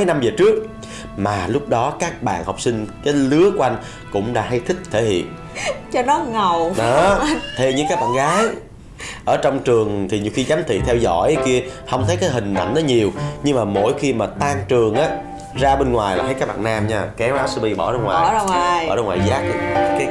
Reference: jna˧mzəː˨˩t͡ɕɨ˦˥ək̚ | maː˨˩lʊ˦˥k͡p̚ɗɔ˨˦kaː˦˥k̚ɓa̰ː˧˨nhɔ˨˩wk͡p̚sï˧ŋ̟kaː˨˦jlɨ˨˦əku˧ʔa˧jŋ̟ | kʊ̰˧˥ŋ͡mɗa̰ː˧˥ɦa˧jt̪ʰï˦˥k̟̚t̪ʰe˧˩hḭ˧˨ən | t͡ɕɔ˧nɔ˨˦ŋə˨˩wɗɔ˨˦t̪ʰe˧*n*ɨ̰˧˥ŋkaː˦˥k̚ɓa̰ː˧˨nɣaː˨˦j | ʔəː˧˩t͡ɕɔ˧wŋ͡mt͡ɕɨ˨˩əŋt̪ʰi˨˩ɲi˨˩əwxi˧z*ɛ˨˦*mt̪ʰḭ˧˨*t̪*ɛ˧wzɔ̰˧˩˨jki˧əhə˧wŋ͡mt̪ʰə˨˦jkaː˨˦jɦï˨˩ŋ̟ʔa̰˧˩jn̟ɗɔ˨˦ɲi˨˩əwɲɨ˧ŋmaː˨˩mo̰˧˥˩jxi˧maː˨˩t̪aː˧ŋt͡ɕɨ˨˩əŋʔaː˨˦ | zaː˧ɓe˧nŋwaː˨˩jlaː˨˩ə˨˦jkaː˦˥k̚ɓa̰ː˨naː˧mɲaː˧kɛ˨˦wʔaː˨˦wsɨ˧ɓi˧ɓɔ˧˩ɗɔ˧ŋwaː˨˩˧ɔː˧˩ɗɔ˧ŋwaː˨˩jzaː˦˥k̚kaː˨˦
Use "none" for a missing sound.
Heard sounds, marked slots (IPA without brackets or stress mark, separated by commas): ɲ, a˨˦, t̪ʰ